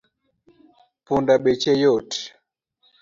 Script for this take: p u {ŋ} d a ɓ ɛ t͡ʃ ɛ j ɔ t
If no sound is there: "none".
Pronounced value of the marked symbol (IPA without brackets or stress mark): n